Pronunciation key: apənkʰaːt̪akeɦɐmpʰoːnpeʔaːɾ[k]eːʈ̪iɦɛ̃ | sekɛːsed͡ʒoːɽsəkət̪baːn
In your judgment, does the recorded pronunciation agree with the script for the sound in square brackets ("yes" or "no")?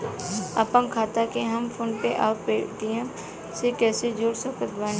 no